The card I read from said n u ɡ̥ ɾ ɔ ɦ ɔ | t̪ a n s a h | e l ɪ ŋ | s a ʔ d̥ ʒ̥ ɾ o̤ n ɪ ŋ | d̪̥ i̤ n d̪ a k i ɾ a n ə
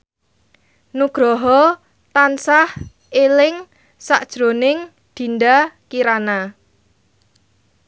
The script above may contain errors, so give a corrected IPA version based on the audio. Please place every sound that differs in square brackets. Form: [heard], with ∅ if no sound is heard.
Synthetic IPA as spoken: n u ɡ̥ ɾ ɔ ɦ ɔ | t̪ a n s a h | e l ɪ ŋ | s a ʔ d̥ ʒ̥ ɾ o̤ n ɪ ŋ | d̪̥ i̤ n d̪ a k i ɾ a n [a]